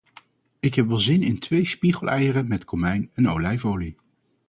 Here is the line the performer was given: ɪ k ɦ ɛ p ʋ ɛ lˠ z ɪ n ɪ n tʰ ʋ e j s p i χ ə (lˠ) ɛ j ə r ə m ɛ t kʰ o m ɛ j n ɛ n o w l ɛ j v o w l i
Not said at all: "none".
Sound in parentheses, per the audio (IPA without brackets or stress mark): lˠ